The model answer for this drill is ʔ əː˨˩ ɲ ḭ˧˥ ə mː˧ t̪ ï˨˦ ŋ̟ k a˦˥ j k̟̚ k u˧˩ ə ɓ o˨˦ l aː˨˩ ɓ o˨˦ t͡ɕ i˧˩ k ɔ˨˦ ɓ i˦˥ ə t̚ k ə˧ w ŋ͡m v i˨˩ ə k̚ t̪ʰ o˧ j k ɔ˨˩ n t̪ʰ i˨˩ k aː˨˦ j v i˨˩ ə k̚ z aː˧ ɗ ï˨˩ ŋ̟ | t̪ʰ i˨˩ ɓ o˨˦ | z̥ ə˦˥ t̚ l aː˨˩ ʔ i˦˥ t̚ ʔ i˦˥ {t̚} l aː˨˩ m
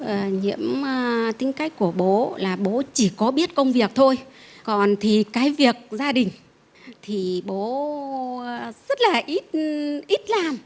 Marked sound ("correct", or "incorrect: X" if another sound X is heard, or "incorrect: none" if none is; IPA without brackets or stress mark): correct